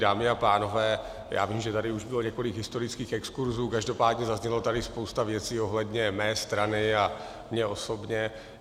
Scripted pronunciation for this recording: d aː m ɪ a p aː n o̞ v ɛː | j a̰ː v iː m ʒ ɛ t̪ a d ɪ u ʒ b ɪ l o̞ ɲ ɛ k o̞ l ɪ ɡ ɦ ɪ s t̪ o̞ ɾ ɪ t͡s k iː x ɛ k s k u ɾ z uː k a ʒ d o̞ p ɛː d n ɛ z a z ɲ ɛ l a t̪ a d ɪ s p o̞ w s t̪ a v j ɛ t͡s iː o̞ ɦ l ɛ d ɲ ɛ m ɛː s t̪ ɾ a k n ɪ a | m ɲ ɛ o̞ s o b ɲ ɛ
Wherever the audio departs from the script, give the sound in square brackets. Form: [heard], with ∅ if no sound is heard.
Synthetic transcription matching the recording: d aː m ɪ a p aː n o̞ v ɛː | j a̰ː v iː m ʒ ɛ t̪ a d ɪ u ʒ b ɪ l o̞ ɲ ɛ k o̞ l ɪ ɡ ɦ ɪ s t̪ o̞ ɾ ɪ t͡s k iː x ɛ k s k u ɾ z uː k a ʒ d o̞ p [aː] d [ɲ] ɛ z a z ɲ ɛ l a t̪ a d ɪ s p o̞ w s t̪ a v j ɛ t͡s iː o̞ ɦ l ɛ d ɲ ɛ m ɛː s t̪ ɾ a [∅] n ɪ a | m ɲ ɛ o̞ s o b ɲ ɛ